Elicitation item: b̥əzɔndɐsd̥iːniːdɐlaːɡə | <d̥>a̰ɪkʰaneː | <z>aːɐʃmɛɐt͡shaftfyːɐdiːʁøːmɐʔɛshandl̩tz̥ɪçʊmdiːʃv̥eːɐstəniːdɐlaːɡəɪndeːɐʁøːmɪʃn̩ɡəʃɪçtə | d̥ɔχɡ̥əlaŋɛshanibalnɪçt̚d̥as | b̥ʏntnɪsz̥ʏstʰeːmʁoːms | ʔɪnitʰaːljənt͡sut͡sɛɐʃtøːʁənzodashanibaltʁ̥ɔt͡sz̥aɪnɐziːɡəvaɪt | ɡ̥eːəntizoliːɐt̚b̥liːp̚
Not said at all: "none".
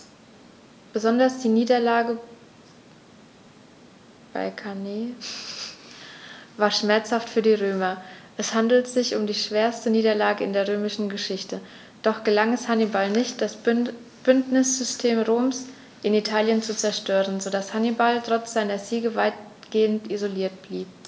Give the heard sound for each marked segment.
b̥, v

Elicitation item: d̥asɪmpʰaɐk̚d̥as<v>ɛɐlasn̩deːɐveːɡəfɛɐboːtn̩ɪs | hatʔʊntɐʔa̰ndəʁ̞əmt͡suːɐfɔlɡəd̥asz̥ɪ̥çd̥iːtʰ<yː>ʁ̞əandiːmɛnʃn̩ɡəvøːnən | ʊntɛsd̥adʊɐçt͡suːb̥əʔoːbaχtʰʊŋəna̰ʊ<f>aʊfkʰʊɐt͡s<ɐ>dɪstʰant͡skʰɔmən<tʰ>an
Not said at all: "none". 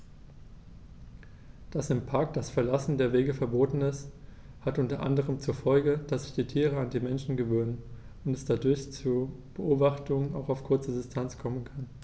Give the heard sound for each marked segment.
f, iː, x, ə, kʰ

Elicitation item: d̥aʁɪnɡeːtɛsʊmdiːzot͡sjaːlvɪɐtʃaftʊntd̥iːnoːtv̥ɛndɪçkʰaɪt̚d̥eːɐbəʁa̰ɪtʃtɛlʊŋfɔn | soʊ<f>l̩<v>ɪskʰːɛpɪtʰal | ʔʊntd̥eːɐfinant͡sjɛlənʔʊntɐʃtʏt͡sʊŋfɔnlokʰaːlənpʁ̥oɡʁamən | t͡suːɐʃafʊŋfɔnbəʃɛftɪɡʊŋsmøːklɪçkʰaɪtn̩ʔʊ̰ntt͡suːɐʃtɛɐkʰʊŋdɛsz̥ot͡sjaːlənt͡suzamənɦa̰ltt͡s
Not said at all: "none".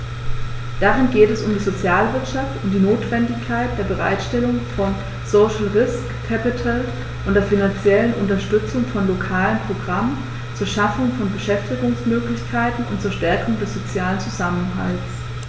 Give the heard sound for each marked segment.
ʃ, ʁ

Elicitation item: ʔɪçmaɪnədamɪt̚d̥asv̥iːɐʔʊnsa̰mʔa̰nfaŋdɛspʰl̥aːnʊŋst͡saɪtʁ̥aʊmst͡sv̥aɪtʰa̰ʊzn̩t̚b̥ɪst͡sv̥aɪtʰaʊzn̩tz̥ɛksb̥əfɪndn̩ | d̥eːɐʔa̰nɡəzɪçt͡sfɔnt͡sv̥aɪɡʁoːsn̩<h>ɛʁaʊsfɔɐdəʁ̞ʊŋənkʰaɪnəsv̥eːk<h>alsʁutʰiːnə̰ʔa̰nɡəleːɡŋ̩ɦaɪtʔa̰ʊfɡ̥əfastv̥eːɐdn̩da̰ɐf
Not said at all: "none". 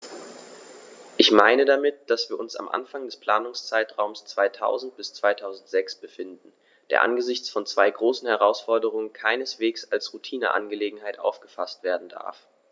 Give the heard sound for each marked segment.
h, s

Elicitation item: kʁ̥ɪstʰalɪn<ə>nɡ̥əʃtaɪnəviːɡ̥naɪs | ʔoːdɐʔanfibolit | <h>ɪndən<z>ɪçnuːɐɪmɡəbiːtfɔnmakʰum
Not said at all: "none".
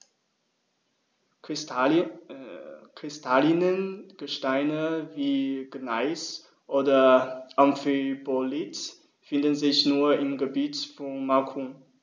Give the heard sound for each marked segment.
ə, f, z

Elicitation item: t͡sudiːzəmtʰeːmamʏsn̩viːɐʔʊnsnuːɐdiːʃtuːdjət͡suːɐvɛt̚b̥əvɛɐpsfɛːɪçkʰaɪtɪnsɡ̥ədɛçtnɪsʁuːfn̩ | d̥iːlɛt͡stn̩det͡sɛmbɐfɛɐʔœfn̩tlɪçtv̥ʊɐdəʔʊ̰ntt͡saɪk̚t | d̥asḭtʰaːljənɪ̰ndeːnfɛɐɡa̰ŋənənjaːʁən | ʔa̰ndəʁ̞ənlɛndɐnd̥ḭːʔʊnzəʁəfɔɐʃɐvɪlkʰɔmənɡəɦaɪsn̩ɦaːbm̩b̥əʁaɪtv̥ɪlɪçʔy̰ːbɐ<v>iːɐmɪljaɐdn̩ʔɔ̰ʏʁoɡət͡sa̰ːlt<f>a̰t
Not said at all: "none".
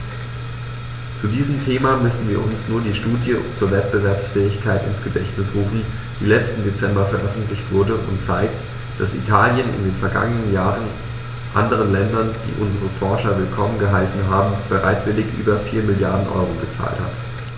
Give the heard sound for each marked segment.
f, h

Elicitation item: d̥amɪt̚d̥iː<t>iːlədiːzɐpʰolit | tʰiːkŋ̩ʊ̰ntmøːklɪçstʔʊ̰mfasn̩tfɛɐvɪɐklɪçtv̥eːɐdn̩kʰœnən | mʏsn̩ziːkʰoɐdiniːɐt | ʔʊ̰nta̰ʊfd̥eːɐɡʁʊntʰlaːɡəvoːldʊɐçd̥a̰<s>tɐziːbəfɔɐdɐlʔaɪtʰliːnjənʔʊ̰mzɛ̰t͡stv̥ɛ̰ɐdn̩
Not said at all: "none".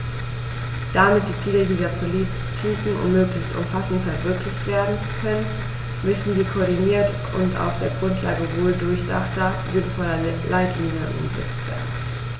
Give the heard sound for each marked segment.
t͡s, χ

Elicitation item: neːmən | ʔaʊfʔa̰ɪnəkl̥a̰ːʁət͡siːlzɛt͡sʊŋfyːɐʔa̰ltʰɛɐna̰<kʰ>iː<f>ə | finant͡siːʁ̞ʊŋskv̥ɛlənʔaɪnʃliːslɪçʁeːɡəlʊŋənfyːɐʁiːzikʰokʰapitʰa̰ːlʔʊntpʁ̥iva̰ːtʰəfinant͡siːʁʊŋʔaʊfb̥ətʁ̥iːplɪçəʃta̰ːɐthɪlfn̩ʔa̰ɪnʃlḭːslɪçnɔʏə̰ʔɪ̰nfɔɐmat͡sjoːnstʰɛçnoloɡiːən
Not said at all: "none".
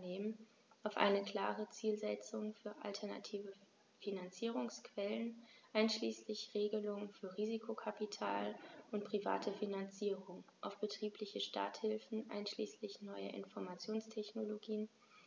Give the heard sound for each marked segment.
tʰ, v

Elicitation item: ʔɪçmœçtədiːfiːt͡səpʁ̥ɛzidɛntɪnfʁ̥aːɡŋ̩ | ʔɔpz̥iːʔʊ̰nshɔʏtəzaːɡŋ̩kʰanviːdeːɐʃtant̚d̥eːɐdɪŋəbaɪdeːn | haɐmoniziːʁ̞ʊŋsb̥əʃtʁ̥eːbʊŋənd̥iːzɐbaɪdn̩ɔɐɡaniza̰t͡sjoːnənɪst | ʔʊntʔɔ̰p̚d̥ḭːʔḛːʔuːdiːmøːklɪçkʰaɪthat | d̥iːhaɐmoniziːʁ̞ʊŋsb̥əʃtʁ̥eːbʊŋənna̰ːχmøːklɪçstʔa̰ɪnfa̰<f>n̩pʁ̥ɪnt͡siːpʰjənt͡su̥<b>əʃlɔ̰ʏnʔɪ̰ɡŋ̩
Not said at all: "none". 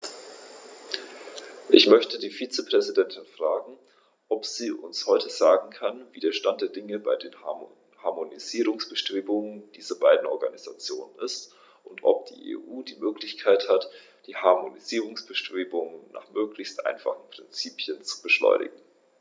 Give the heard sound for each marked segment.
χ, b

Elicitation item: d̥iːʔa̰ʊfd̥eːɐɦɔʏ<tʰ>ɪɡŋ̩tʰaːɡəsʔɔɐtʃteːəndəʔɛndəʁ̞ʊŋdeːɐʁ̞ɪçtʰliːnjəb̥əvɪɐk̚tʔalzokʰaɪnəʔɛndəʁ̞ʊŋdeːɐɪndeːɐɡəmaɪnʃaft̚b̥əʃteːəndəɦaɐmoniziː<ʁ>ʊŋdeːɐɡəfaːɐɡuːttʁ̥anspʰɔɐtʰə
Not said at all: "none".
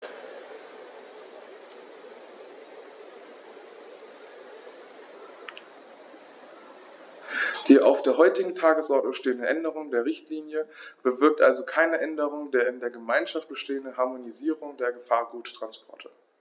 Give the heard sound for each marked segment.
t, ʁ

